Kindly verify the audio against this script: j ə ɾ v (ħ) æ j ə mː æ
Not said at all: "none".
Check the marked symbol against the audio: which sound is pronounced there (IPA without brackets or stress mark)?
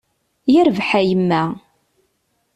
ħ